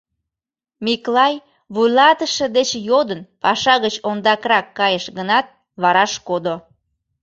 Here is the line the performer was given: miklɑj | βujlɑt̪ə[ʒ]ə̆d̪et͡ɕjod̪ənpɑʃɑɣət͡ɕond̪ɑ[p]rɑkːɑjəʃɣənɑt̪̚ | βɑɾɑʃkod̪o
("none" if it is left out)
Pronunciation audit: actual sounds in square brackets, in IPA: ʃ, k

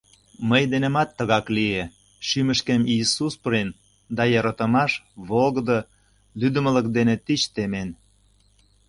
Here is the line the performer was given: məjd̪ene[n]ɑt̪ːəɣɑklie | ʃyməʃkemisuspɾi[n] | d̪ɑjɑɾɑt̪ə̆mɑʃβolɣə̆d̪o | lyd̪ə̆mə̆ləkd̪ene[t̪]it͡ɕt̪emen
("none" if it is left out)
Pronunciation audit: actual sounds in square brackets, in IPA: m, n, t̪

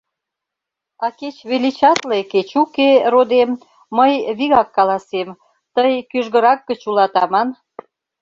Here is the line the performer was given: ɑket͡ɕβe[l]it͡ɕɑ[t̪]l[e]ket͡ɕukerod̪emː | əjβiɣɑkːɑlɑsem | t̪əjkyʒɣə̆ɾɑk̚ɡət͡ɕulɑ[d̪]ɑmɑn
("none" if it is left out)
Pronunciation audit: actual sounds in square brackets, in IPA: l, t̪, e, t̪

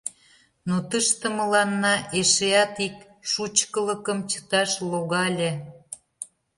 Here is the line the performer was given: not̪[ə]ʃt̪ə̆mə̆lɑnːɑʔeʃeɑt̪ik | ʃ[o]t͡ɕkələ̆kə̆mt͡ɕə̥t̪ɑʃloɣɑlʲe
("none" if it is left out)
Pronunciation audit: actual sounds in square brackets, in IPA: ə, u

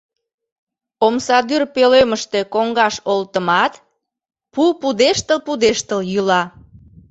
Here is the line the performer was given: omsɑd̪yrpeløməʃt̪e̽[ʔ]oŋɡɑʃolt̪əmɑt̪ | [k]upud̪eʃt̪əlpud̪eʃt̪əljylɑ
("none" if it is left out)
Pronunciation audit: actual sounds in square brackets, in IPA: k, p

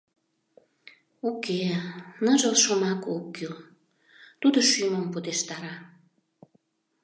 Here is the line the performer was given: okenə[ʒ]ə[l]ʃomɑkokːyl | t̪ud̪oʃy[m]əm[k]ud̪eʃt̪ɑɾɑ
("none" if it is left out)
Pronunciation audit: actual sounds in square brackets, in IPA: ʒ, l, m, p

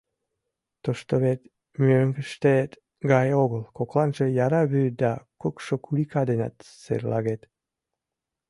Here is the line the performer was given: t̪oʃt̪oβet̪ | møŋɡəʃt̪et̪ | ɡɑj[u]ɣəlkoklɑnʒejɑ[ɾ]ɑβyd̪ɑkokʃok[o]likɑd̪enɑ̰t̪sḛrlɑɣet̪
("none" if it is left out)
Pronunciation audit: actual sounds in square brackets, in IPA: o, ɾ, u

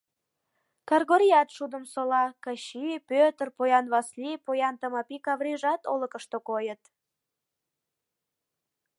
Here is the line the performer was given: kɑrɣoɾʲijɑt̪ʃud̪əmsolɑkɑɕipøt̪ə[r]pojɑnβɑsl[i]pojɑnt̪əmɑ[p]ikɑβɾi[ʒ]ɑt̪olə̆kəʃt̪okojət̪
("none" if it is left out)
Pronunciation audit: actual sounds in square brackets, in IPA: r, i, p, ʒ

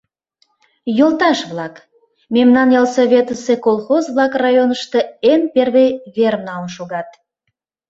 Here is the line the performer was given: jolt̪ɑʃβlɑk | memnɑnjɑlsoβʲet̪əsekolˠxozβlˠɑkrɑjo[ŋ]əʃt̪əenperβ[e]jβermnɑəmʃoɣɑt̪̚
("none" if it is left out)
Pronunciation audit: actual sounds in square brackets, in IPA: n, e

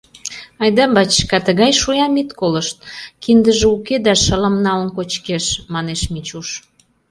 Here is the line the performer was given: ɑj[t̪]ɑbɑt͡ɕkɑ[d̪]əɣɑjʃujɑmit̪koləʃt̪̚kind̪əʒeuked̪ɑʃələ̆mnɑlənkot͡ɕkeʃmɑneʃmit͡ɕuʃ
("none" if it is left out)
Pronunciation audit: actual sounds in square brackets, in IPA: d̪, t̪

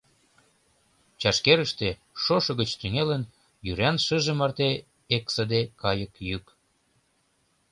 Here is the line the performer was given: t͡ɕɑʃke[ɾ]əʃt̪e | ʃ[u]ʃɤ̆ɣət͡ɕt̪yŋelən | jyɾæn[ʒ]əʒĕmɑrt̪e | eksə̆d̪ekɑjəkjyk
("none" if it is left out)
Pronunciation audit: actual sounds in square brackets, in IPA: ɾ, o, ʃ

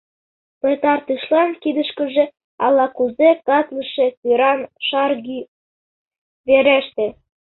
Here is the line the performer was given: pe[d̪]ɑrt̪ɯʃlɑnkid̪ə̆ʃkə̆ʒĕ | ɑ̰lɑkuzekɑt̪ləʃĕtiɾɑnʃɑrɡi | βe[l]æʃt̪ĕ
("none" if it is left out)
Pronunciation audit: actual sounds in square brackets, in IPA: t̪, ɾ

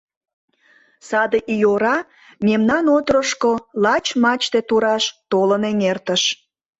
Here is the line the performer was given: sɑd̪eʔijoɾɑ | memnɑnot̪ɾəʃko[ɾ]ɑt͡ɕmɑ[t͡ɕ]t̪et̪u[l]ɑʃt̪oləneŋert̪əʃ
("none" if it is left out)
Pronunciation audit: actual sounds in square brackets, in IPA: l, t͡ɕ, ɾ

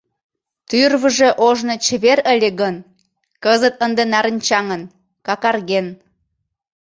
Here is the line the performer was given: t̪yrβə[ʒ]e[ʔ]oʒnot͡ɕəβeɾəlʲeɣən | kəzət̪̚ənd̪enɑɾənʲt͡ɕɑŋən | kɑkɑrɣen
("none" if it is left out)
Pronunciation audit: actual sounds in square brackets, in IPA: ʒ, ʔ

